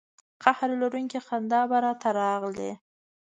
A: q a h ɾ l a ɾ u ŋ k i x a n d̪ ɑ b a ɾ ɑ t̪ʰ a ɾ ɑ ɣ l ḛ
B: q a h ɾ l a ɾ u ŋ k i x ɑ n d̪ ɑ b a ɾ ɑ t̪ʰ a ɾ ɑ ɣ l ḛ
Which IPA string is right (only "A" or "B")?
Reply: A